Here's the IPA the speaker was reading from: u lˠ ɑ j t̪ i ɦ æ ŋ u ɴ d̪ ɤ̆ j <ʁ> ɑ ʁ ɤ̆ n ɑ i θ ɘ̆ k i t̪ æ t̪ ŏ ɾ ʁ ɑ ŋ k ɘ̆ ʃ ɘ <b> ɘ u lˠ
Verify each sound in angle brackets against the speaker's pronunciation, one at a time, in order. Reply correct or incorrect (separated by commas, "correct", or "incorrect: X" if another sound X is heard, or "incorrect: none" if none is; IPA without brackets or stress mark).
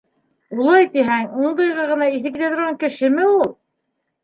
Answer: correct, incorrect: m